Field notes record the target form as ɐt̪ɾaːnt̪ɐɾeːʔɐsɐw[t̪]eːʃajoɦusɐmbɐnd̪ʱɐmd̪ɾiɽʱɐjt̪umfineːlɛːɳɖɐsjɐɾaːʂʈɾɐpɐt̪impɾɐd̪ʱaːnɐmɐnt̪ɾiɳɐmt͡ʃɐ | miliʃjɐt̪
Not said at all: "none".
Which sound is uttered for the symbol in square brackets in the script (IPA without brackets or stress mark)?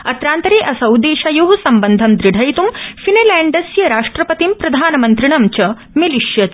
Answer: d̪